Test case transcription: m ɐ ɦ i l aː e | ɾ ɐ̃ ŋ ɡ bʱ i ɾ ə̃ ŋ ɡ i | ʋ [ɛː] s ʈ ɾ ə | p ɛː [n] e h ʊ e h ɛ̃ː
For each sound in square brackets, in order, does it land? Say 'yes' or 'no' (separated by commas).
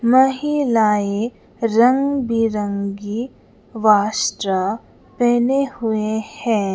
no, yes